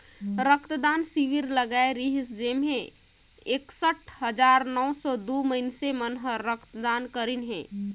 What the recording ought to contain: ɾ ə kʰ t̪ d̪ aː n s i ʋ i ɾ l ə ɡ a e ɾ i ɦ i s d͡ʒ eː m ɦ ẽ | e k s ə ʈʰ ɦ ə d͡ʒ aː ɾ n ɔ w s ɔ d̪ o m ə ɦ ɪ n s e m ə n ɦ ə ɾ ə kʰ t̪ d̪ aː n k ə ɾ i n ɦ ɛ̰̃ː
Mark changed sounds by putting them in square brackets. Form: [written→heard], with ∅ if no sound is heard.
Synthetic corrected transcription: ɾ ə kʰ t̪ d̪ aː n s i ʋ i ɾ l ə ɡ a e ɾ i ɦ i s d͡ʒ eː m ɦ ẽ | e k s ə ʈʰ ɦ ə d͡ʒ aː ɾ n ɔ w s ɔ d̪ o m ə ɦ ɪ n s e m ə n ɦ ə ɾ ə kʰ t̪ d̪ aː n k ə ɾ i n ɦ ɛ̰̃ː